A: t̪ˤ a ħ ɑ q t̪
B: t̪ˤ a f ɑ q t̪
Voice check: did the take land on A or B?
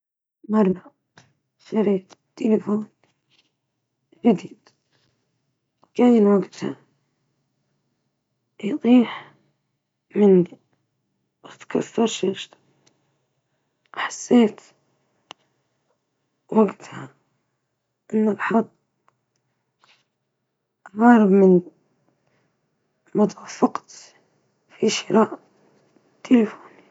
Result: B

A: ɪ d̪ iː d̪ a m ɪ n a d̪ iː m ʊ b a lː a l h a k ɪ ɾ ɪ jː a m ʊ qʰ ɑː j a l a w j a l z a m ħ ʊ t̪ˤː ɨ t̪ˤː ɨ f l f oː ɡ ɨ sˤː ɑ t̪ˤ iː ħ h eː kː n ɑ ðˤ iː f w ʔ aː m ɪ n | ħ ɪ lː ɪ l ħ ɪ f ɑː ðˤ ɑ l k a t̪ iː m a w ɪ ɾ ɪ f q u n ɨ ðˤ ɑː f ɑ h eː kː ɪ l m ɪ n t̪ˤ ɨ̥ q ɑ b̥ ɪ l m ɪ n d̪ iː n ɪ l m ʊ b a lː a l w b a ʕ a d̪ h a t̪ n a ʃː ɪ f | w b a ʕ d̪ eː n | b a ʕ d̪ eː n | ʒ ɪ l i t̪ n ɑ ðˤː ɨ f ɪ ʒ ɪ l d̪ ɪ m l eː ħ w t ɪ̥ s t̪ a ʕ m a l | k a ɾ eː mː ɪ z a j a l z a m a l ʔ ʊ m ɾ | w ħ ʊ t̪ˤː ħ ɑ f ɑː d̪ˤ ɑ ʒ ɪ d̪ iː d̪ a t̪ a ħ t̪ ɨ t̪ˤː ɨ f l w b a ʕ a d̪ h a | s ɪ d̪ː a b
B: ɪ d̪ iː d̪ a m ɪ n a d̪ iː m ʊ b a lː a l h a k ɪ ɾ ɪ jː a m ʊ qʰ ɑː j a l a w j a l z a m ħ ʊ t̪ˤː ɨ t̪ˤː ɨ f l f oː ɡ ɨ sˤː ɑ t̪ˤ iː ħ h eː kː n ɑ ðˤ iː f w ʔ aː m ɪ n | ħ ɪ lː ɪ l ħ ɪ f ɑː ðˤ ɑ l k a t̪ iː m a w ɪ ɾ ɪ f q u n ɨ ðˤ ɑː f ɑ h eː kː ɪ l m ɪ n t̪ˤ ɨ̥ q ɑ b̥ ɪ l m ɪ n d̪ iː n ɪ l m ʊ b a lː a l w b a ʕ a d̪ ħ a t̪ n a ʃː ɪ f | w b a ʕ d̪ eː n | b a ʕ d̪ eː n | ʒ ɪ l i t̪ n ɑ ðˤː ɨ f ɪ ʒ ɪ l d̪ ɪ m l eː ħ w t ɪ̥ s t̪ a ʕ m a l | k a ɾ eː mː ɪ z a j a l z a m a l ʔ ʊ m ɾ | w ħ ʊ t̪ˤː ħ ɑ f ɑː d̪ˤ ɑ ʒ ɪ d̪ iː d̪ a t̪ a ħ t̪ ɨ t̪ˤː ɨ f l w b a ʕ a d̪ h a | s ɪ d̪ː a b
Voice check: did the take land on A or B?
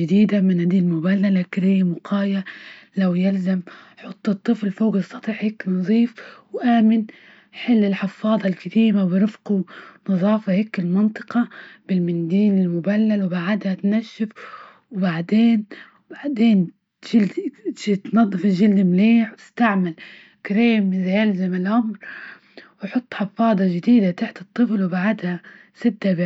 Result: A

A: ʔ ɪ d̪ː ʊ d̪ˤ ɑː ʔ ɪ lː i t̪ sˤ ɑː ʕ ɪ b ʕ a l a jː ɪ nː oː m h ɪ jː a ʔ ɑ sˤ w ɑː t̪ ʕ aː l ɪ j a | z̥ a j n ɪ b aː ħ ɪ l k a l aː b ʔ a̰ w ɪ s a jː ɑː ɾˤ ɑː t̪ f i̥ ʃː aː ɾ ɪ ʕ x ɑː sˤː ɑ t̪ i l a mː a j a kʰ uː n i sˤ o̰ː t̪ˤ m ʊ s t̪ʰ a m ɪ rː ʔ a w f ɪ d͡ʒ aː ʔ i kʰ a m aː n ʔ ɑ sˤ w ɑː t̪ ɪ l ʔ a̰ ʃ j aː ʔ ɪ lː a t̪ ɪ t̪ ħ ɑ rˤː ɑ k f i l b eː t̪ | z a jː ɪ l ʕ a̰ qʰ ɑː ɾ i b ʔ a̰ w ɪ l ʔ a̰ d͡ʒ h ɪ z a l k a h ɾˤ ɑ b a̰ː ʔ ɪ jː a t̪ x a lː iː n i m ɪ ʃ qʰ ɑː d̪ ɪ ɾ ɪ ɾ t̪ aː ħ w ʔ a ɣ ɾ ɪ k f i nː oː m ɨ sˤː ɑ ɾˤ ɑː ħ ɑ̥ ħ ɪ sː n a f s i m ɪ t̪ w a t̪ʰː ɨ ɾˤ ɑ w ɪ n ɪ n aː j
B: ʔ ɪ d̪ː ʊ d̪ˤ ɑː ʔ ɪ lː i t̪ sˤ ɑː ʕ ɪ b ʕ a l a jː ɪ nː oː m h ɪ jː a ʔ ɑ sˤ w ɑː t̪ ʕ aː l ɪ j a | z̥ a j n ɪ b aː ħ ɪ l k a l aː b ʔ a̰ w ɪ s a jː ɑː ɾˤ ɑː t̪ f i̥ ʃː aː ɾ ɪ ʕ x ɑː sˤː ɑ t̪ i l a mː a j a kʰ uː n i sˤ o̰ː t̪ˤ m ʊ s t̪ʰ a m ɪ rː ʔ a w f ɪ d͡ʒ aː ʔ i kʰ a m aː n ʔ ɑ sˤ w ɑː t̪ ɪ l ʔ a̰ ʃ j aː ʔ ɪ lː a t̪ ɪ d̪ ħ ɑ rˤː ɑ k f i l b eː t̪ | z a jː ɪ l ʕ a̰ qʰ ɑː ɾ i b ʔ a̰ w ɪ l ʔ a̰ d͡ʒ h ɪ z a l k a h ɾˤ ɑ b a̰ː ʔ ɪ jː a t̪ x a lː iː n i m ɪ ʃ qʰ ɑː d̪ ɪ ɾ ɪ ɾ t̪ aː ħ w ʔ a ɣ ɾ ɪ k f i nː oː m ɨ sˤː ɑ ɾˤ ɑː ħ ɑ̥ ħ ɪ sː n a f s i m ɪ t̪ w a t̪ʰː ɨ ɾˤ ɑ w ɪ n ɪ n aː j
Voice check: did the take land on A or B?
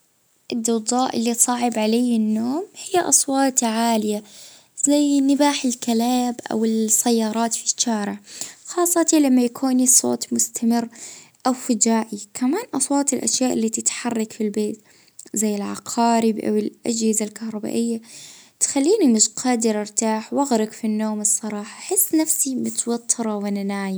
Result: A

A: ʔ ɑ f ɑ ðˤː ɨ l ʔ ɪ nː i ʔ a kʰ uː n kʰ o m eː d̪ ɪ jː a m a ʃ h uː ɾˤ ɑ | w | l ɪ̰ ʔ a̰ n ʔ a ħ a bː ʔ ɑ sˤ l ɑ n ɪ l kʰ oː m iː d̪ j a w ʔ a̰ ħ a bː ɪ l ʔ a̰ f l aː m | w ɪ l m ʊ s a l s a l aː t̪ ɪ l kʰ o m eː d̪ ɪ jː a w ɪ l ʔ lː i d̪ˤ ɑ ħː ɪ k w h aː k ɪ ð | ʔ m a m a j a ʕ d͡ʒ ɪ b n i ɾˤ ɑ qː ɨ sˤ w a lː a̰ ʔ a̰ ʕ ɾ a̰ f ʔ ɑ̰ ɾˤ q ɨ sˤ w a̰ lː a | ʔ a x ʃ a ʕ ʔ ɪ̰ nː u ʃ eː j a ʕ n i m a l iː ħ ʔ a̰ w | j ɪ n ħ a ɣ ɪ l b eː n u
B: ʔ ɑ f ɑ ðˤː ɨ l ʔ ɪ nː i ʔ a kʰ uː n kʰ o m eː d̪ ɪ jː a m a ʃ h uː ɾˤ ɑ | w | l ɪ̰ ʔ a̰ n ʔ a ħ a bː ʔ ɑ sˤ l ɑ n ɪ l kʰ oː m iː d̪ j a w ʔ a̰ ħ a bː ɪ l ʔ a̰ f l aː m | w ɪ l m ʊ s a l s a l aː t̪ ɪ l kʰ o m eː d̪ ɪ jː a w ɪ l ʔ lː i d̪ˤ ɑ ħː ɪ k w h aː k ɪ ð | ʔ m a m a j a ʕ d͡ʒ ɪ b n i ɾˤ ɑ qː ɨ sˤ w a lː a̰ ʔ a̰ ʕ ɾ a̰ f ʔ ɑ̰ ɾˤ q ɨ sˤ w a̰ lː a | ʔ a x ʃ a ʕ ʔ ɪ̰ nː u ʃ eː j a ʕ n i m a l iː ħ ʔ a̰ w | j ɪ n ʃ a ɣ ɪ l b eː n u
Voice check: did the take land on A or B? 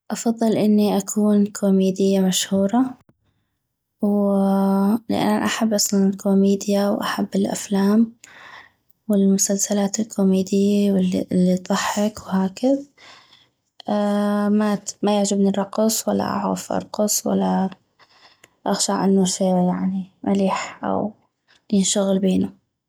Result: B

